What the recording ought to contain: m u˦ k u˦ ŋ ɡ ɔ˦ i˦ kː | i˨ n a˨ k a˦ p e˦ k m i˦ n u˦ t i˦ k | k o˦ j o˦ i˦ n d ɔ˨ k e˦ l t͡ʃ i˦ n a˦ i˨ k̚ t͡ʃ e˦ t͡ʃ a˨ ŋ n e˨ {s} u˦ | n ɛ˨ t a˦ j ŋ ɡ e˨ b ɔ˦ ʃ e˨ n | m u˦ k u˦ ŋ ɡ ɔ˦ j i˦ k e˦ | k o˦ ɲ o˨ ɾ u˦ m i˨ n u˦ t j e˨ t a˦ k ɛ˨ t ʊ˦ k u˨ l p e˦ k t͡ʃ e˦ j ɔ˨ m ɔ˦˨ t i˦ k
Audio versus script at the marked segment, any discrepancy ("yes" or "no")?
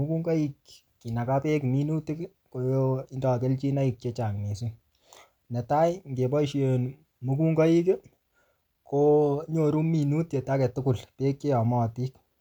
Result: no